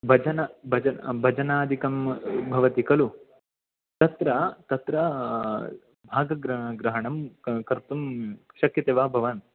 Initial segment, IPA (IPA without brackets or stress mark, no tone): bʱ